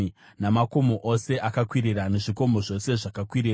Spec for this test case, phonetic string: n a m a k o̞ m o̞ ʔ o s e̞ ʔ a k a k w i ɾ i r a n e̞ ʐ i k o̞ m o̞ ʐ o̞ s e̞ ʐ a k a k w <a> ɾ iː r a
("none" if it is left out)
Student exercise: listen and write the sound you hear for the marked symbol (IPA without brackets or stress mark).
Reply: i